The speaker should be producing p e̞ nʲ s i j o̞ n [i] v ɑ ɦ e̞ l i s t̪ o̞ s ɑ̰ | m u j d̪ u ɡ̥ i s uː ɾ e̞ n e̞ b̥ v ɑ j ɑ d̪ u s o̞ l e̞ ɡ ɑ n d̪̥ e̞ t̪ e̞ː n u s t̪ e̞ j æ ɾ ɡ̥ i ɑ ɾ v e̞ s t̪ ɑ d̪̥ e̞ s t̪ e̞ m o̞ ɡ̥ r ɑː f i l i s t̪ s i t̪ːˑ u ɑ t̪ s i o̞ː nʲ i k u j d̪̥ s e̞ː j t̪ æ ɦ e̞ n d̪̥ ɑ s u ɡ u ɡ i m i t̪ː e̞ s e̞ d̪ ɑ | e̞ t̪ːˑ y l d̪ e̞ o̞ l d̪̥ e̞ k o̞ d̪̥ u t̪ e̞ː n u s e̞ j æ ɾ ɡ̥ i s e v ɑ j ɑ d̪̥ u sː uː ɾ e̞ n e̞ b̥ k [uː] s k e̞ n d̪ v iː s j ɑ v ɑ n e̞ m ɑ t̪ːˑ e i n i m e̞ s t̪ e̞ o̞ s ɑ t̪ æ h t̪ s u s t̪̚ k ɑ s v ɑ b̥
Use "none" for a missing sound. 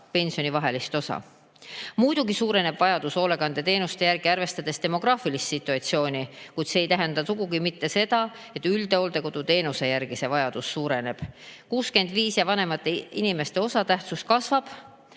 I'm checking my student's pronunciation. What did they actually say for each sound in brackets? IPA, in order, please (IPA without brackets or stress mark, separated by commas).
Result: i, uː